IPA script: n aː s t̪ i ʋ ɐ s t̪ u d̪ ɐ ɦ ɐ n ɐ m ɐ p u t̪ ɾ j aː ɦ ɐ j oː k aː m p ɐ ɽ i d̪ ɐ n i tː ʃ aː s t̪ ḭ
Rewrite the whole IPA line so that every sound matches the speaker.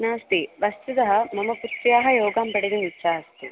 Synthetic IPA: n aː s t̪ i ʋ ɐ s t̪ u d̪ ɐ ɦ ɐ m ɐ m ɐ p u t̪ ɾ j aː ɦ ɐ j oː ɡ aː m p ɐ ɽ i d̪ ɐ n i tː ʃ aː s t̪ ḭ